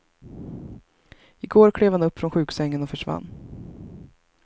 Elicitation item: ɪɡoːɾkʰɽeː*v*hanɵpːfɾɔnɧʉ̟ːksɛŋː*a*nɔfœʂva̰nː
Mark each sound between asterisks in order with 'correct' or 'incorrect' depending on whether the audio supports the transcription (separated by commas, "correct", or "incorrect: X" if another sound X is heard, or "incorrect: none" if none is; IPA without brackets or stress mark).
correct, incorrect: ə